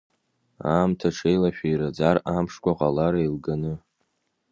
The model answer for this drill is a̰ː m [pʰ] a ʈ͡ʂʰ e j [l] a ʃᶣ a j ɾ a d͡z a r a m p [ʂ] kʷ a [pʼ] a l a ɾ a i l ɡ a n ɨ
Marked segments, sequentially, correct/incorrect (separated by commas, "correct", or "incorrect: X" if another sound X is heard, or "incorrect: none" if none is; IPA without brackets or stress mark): incorrect: tʰ, correct, correct, incorrect: qʼ